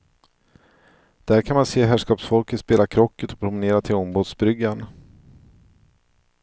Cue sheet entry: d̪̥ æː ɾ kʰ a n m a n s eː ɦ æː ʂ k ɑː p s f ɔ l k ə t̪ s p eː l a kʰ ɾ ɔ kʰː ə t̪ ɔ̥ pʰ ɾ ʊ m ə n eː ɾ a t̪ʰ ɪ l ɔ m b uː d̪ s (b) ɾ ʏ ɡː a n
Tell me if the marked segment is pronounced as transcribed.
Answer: yes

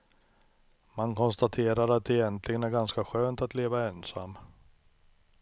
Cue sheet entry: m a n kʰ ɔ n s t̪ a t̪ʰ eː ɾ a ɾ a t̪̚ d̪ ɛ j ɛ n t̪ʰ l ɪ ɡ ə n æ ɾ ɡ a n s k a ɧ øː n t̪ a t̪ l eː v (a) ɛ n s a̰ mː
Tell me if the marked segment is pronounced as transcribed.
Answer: yes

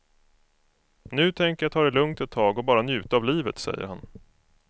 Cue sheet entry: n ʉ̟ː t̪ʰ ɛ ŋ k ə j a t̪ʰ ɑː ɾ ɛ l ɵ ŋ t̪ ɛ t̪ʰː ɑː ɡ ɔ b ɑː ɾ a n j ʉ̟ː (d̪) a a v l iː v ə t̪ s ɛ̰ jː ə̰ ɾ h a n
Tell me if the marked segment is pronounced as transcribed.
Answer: no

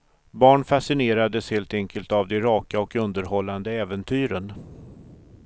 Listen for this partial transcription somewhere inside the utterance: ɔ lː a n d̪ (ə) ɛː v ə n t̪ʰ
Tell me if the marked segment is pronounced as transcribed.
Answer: yes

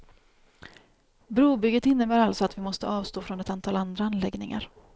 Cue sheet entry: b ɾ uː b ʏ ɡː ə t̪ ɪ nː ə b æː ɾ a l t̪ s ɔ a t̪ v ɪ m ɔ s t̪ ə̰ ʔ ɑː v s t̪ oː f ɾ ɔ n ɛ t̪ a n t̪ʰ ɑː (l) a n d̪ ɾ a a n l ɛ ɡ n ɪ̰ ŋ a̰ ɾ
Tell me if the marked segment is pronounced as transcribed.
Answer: yes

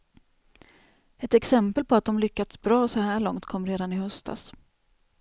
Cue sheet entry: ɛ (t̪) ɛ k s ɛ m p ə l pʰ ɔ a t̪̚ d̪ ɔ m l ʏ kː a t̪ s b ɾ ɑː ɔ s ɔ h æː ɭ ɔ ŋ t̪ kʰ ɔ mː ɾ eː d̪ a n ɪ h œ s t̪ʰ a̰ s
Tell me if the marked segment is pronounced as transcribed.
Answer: yes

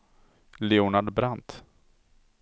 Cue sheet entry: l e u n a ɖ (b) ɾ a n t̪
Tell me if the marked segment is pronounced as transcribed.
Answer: yes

